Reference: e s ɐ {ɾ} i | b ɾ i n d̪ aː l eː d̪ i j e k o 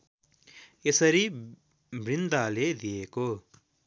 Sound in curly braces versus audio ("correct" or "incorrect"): correct